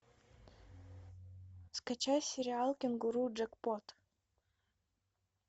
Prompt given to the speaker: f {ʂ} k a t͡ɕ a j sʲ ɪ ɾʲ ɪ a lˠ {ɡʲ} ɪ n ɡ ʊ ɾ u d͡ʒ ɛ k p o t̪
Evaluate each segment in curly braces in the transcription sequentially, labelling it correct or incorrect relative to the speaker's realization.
incorrect: s, incorrect: kʲ

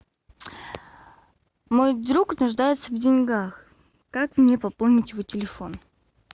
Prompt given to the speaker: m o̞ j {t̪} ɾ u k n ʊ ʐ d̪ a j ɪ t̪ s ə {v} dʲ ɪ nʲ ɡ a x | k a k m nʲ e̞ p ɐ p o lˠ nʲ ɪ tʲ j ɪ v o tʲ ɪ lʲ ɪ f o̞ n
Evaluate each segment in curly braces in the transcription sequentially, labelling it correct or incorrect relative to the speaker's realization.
incorrect: d̪, correct

